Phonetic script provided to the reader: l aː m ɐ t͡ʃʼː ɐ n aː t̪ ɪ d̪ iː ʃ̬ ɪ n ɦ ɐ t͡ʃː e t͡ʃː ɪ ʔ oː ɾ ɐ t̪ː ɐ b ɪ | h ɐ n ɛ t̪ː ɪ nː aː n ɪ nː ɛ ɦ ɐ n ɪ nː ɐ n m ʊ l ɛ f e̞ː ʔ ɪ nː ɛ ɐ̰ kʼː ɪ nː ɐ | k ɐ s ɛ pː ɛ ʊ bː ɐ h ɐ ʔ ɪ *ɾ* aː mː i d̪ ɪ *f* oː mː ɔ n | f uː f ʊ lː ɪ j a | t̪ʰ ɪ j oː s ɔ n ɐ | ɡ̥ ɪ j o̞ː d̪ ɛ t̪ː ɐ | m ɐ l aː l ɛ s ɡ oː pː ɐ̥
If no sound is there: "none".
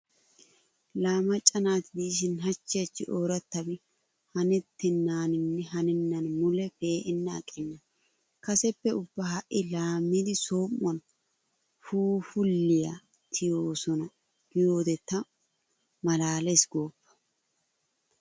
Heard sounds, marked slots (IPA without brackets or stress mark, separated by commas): l, s